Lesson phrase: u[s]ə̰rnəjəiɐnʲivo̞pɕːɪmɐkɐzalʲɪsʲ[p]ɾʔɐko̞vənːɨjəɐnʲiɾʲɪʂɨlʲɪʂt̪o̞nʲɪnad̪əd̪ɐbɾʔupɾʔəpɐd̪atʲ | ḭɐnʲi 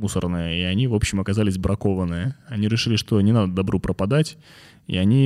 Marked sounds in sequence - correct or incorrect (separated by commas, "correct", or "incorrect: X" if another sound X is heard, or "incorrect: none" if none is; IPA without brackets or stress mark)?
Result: correct, incorrect: b